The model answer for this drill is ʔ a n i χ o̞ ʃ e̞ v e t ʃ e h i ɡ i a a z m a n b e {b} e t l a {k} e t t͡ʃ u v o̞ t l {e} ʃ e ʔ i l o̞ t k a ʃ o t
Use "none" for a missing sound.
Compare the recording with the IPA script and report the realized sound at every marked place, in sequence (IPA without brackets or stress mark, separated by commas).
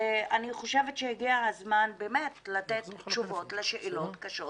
m, t, e